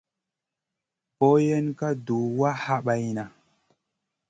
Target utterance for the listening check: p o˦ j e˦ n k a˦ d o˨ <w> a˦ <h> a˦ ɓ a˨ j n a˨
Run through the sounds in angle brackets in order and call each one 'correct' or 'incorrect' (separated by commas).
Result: correct, correct